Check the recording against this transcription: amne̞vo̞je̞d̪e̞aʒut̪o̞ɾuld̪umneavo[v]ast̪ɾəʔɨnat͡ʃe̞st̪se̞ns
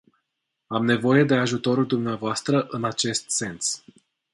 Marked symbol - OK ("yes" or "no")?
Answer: no